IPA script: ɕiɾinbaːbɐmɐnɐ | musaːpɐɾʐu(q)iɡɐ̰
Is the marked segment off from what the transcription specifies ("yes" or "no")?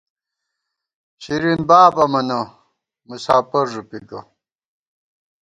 yes